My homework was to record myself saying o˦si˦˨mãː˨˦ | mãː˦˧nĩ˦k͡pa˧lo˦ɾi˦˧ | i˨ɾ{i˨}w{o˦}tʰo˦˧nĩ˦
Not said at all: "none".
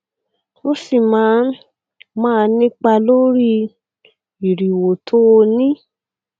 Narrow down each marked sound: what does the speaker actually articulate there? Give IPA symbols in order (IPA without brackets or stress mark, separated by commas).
i˨, o˨